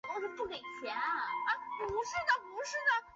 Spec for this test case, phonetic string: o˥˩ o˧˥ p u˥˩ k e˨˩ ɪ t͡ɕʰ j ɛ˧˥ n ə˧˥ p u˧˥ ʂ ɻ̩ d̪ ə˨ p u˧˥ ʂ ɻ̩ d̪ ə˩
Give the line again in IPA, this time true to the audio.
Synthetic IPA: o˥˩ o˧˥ p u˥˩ k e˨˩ ɪ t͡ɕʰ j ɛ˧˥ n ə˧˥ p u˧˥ ʂ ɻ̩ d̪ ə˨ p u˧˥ ʂ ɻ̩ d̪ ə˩